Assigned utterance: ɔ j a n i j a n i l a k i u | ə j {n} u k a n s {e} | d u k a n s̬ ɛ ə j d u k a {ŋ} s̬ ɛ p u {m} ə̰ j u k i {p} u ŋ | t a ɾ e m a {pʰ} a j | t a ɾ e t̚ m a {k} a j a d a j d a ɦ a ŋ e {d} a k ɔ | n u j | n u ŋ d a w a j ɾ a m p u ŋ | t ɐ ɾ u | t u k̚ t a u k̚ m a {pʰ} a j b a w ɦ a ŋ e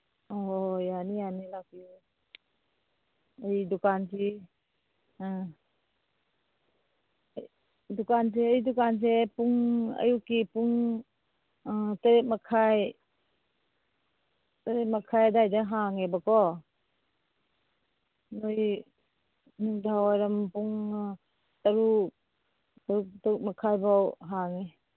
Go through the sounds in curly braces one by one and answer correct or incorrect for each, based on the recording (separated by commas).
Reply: incorrect, incorrect, incorrect, incorrect, correct, incorrect, incorrect, incorrect, incorrect